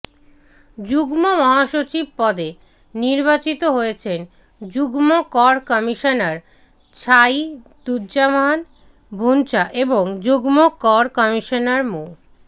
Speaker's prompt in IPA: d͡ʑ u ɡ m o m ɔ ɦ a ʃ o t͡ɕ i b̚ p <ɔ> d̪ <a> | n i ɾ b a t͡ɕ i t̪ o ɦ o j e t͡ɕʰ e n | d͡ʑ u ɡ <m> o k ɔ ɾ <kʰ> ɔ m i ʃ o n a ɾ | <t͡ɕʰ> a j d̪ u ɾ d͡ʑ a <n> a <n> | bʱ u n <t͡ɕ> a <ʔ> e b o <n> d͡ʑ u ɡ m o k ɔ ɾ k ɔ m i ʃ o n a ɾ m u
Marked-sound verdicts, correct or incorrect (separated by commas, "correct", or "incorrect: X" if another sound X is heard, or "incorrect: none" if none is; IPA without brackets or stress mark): correct, incorrect: e, correct, incorrect: k, correct, incorrect: m, correct, correct, correct, incorrect: ŋ